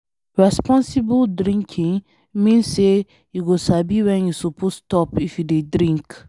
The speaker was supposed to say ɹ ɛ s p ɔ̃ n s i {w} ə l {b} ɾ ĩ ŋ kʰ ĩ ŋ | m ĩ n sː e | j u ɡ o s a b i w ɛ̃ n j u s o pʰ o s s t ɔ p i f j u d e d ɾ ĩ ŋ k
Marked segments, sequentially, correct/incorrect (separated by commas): incorrect, incorrect